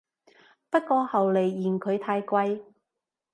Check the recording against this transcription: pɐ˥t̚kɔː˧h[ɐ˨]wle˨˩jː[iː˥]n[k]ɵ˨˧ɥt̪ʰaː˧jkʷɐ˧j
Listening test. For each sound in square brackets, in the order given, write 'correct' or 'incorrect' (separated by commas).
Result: correct, incorrect, incorrect